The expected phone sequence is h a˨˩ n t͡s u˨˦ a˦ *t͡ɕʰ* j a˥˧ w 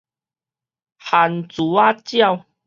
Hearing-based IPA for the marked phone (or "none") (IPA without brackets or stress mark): t͡ɕ